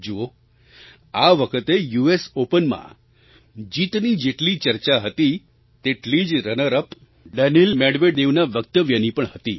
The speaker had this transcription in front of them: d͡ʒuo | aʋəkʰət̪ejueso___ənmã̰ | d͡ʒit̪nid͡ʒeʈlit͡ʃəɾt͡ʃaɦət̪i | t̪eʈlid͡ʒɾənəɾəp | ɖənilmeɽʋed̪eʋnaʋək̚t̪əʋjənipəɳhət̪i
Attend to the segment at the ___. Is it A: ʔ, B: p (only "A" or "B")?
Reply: B